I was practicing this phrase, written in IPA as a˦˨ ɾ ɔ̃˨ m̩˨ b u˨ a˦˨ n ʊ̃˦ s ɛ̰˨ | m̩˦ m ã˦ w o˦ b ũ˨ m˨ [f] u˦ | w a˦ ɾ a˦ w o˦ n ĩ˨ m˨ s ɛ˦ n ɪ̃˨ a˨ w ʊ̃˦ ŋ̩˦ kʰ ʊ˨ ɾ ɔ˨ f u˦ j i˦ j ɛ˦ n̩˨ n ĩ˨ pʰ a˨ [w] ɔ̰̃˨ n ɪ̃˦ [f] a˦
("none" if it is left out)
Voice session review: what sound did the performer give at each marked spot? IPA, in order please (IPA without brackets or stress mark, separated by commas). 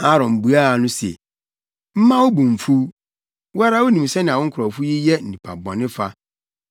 f, b, f